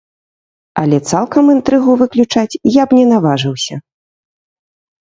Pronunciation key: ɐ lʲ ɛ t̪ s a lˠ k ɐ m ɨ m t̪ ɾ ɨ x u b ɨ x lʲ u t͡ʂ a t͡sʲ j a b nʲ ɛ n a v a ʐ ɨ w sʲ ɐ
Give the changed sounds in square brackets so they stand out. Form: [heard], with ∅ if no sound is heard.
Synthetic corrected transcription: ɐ lʲ ɛ t̪ s a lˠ k ɐ m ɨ [n] t̪ ɾ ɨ [ɣ] u [v] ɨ [k] lʲ u t͡ʂ a t͡sʲ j a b nʲ ɛ n a v a ʐ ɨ w sʲ ɐ